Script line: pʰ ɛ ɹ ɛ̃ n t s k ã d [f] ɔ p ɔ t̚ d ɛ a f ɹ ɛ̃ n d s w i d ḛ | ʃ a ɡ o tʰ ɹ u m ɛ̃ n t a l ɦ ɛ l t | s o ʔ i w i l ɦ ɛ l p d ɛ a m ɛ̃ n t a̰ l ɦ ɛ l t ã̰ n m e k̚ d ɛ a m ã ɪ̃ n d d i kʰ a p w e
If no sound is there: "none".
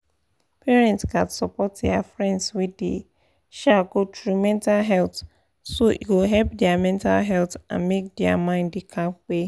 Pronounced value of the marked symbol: s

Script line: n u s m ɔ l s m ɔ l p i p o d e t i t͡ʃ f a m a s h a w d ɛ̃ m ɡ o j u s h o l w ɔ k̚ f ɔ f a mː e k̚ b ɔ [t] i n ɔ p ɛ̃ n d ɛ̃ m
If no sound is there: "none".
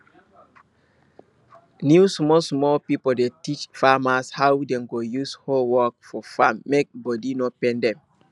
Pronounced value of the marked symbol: d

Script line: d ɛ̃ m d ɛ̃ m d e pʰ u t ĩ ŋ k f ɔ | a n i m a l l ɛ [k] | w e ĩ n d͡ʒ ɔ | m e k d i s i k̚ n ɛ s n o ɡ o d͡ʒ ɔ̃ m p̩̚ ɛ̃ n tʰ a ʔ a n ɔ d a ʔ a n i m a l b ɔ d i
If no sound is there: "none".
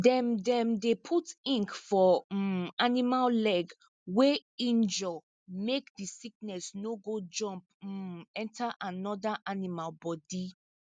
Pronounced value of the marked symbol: ɡ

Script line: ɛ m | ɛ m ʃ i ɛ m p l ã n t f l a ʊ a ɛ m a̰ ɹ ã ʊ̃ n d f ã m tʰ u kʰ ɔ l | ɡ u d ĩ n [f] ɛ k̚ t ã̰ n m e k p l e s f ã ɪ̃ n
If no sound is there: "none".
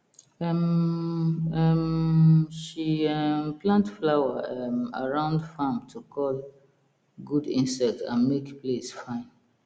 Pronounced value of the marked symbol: s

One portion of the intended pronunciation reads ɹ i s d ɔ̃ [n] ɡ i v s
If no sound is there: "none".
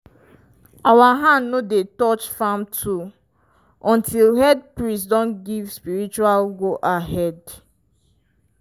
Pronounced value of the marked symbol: n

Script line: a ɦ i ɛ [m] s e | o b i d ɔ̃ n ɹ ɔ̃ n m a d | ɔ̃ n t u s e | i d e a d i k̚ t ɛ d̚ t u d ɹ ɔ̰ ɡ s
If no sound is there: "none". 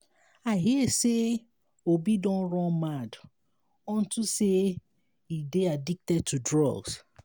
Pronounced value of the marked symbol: none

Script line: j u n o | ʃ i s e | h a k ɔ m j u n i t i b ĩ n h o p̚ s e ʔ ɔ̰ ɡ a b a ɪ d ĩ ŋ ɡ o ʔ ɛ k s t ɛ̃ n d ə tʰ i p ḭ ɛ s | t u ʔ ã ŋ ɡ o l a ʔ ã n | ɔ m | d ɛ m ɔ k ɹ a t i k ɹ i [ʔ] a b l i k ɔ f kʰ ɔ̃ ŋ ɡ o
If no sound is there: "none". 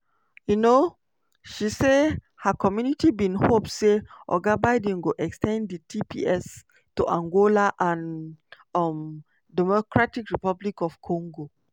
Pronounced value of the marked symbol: p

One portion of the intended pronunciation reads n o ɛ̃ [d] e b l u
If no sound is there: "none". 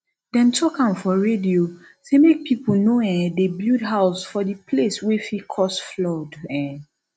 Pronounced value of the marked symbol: d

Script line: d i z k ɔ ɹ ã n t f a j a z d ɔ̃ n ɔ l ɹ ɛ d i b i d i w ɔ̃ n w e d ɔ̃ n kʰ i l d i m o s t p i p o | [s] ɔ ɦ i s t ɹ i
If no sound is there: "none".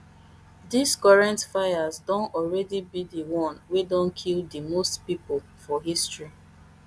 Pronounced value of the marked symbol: f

